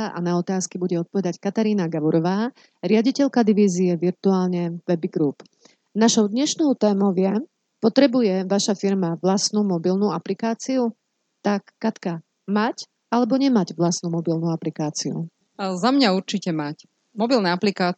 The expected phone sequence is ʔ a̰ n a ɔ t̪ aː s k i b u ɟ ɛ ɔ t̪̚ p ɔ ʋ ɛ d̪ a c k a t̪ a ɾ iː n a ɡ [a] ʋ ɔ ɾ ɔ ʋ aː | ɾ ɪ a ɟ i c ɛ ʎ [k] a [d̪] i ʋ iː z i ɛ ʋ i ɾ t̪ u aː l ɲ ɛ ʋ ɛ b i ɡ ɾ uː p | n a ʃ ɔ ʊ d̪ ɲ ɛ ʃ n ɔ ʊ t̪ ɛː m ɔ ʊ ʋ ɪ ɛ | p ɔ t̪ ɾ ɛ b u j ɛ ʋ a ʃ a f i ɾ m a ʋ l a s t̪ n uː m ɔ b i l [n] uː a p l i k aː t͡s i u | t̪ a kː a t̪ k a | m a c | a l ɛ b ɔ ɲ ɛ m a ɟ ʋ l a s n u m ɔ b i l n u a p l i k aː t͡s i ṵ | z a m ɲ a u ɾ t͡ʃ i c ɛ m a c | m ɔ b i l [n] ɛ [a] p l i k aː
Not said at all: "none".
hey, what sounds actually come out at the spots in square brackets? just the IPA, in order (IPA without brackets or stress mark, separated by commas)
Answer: a, k, d̪, n, n, a